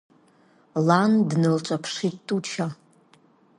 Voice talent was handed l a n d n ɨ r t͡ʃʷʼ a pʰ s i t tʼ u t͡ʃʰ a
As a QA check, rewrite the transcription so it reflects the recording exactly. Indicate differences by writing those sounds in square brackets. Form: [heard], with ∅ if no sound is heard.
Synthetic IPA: l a n d n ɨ [l] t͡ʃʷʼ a pʰ [ʂ] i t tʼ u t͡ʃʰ a